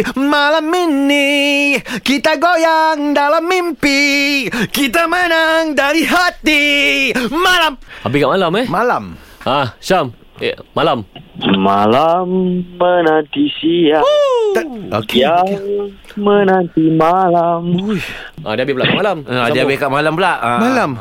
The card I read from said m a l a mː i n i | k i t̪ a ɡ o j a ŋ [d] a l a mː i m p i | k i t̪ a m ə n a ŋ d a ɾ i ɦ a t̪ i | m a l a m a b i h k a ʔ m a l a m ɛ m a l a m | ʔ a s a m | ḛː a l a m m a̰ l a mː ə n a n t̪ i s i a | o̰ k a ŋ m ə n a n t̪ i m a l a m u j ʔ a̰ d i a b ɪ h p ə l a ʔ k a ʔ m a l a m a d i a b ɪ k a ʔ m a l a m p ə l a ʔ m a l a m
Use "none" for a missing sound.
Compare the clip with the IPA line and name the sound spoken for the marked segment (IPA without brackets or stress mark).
d